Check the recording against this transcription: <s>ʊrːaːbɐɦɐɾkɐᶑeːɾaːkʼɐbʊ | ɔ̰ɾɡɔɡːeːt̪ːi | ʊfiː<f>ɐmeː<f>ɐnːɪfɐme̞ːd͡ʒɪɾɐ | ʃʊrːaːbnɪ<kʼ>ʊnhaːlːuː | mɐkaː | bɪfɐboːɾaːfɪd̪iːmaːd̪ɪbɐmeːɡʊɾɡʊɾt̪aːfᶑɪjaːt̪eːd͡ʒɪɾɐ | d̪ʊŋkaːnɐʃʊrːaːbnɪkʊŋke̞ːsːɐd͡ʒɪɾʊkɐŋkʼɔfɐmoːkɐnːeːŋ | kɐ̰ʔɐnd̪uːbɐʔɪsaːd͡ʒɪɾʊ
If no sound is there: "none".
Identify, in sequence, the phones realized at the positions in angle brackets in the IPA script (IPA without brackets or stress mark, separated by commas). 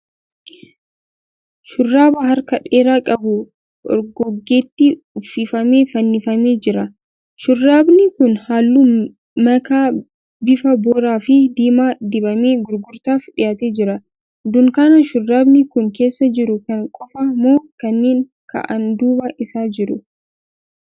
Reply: ʃ, f, f, k